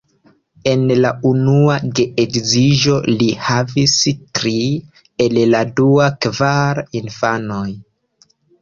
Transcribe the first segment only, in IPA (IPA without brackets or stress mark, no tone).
e̞